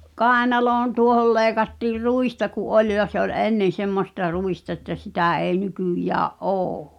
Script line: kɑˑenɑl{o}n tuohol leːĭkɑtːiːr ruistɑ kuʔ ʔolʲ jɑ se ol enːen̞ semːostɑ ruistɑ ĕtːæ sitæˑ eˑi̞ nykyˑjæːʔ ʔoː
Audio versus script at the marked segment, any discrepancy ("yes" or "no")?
yes